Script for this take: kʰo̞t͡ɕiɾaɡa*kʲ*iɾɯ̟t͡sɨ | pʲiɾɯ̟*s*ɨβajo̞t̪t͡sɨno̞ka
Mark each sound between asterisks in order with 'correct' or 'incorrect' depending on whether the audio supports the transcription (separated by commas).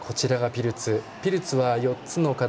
incorrect, incorrect